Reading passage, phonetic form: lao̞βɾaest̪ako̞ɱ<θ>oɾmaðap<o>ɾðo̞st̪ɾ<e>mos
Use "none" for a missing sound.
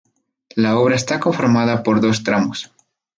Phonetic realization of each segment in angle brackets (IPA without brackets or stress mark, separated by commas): f, o, a